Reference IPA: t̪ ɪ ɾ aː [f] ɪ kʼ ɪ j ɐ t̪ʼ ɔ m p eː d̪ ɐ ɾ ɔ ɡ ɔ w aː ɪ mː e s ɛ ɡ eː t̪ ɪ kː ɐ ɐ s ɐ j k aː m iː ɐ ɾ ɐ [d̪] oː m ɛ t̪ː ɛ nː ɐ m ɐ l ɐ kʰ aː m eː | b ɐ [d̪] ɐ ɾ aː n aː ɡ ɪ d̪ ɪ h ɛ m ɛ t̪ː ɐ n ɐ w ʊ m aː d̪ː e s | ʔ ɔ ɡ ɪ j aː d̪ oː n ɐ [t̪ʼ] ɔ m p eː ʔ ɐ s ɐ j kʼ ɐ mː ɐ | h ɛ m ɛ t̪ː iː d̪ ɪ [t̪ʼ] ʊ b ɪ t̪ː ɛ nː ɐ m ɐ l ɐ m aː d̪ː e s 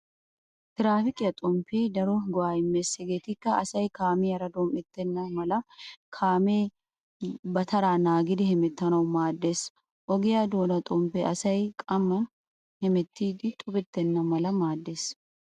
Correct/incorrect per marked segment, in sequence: correct, correct, incorrect: t̪, correct, correct

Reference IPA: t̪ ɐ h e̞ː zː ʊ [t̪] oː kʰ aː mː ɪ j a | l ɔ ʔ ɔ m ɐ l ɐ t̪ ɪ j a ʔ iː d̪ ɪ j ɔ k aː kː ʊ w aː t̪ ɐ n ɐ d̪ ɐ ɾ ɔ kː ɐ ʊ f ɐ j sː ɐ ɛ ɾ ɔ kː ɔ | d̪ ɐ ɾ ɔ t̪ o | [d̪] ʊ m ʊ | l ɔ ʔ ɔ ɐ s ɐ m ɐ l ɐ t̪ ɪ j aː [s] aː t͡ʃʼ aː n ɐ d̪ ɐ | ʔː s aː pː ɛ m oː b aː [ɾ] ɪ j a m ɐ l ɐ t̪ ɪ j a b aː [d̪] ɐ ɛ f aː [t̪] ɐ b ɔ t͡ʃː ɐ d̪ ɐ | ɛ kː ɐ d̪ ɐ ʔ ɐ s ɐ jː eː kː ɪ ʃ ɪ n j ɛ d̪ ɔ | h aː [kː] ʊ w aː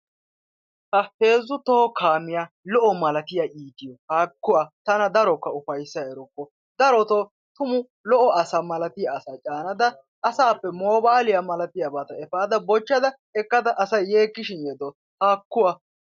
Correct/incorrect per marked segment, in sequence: correct, incorrect: t̪, correct, incorrect: l, incorrect: t̪, incorrect: d̪, correct

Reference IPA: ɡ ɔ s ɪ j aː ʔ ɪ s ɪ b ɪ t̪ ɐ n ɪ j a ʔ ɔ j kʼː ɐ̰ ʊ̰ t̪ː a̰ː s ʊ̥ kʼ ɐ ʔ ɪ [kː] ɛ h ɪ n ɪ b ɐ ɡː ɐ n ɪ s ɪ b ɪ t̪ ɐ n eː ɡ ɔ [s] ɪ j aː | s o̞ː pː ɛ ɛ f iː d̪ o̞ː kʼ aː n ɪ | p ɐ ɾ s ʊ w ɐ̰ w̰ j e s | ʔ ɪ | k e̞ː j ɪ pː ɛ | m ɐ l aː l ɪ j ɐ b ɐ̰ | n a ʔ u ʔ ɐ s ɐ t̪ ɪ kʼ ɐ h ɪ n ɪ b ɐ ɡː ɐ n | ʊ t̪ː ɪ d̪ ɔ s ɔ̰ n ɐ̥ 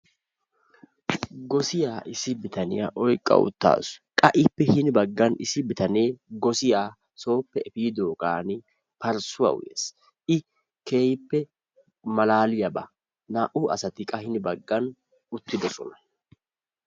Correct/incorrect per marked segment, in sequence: incorrect: pː, correct

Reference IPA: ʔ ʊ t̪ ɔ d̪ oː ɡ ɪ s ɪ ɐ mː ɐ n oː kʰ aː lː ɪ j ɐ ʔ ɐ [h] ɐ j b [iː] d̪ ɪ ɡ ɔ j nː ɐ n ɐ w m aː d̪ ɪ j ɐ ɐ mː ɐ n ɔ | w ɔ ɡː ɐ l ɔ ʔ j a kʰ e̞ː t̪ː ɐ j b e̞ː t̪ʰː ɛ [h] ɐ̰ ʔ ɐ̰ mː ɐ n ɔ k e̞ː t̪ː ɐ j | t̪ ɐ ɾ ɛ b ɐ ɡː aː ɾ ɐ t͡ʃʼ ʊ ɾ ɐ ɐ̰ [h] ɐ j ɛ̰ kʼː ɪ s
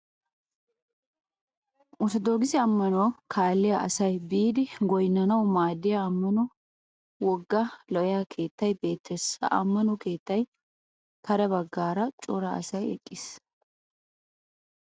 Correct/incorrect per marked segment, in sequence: incorrect: s, correct, incorrect: s, incorrect: s

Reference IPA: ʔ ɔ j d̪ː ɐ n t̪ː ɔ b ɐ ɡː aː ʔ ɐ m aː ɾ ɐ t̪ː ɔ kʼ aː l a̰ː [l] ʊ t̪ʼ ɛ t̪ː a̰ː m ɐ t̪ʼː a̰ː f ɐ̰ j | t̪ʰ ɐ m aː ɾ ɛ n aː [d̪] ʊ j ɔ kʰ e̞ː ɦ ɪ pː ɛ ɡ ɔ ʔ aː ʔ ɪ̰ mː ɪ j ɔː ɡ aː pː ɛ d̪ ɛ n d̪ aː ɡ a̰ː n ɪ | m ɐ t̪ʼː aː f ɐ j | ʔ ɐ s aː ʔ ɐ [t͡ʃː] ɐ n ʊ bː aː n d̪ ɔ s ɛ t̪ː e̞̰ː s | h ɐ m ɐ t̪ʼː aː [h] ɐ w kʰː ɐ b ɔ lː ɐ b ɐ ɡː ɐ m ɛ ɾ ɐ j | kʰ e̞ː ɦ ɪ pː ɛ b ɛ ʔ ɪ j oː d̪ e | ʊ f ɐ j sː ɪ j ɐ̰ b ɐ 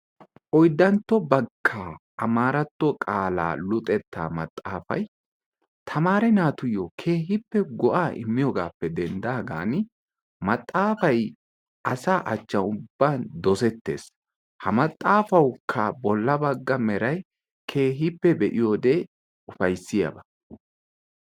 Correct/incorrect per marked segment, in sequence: correct, incorrect: t̪, correct, incorrect: f

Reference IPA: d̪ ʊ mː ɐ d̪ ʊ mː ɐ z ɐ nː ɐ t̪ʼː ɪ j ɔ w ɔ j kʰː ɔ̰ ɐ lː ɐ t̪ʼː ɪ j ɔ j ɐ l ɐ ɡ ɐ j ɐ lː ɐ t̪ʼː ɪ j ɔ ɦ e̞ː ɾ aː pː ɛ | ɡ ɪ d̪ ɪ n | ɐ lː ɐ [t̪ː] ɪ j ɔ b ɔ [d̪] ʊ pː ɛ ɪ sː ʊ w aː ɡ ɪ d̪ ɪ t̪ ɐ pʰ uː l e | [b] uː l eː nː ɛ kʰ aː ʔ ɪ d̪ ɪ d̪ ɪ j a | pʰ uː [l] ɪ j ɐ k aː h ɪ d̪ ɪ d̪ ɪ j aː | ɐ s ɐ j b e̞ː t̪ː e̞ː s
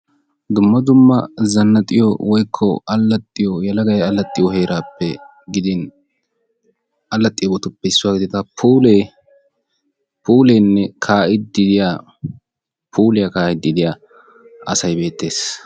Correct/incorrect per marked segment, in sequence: incorrect: t̪ʼː, incorrect: t̪, incorrect: p, correct

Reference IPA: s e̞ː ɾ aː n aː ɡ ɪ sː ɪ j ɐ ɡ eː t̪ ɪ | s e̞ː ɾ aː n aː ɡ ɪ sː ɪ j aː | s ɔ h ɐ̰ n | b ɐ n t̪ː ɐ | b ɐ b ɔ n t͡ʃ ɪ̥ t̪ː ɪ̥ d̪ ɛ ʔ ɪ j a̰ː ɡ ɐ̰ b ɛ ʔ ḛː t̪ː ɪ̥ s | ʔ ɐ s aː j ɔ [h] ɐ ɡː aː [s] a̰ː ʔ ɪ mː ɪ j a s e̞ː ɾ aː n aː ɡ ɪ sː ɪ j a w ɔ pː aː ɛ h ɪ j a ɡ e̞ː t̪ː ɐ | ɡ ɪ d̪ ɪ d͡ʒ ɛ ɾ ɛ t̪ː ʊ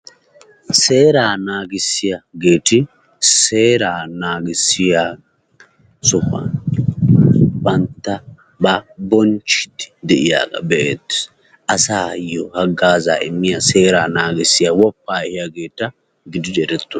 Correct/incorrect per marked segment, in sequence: correct, incorrect: z

